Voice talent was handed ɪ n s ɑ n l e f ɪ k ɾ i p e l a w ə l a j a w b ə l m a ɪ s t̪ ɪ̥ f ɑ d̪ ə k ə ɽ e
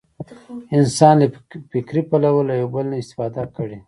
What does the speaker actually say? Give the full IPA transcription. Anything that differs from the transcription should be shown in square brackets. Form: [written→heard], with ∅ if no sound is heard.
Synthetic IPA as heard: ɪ n s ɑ n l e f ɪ k ɾ i p [e→a] l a w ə l a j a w b ə l [m→n] a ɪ s t̪ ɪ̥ f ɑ d̪ [ə→a] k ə ɽ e